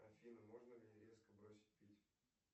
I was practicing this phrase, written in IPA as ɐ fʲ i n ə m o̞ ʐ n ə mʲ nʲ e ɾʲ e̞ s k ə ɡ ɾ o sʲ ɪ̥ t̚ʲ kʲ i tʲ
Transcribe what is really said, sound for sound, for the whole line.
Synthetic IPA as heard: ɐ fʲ i n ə m o̞ ʐ n ə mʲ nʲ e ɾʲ e̞ s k ə b ɾ o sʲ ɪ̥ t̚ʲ pʲ i tʲ